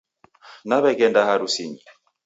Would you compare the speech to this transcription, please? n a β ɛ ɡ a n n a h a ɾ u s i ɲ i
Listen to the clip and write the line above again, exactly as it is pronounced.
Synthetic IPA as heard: n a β ɛ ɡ ɛ n d a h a ɾ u s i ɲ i